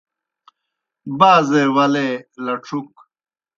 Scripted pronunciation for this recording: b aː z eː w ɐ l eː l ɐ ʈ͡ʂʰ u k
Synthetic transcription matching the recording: b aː z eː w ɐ l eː l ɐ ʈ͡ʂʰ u k

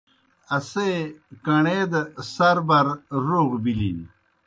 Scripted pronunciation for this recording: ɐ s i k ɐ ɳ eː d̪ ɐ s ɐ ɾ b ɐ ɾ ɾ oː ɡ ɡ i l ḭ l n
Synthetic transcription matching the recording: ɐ s e k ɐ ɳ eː d̪ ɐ s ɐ ɾ b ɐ ɾ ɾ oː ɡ b i l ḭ n

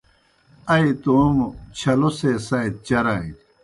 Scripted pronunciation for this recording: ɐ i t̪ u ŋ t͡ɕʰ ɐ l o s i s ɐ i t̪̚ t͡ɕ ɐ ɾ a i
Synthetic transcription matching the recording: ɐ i t̪ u m t͡ɕʰ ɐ l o s e s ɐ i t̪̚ t͡ɕ ɐ ɾ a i

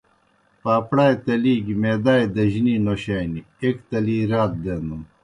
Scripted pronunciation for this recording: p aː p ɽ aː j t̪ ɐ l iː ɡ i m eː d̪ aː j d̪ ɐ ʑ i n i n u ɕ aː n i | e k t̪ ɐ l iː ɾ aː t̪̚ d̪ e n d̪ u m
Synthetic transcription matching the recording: p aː p ɽ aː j t̪ ɐ l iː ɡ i m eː d̪ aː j d̪ ɐ ʑ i n i n o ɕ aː n i | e k t̪ ɐ l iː ɾ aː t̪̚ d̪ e n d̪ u m

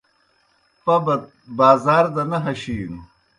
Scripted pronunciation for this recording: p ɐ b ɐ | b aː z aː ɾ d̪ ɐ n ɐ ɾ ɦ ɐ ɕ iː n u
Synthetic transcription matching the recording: p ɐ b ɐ | b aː z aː ɾ d̪ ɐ n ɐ ɦ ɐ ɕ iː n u

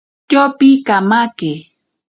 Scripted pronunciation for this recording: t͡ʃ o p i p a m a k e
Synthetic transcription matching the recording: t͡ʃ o p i k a m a k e

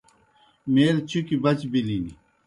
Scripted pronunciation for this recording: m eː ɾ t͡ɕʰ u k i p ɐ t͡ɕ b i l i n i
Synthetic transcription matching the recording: m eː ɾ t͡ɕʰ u k i b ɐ t͡ɕ b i l i n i

